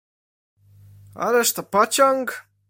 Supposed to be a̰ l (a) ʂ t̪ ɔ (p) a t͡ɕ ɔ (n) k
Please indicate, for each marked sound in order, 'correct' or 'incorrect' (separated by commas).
incorrect, correct, incorrect